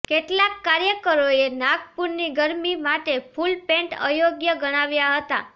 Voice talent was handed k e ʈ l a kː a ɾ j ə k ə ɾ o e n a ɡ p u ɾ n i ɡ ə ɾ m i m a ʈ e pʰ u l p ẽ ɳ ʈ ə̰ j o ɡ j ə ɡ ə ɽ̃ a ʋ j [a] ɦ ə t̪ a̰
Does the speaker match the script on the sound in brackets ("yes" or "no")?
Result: yes